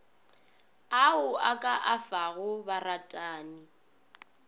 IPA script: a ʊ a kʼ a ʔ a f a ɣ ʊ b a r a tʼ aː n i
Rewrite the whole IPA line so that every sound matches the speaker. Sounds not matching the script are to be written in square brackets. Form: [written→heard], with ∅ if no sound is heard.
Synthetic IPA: a ʊ a kʼ a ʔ a f a ɣ ʊ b a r a tʼ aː n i

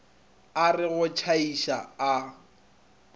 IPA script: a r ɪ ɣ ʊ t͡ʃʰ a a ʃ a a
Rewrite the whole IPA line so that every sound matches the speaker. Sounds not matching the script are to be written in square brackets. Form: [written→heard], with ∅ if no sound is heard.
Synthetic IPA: a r ɪ ɣ ʊ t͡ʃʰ a [a→i] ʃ a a

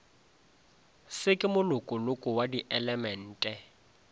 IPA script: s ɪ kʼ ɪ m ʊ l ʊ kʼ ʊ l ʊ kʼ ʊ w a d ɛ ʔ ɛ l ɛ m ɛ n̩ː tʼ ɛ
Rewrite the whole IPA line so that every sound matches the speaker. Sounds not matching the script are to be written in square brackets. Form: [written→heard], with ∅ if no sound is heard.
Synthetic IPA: s ɪ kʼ ɪ m ʊ l ʊ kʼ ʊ l ʊ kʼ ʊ w a d [ɛ→i] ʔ ɛ l ɛ m ɛ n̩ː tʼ ɛ

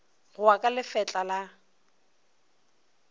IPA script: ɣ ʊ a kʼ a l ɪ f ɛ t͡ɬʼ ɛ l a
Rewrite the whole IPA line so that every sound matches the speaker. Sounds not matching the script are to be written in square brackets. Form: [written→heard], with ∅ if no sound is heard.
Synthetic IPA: ɣ ʊ a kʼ a l ɪ f ɛ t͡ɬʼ [ɛ→a] l a

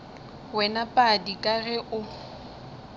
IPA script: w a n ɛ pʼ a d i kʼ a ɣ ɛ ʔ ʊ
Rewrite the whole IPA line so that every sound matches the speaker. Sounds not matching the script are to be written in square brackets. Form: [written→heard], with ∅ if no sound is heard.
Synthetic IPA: w [a→ɛ] n [ɛ→a] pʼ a d i kʼ a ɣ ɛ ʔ ʊ

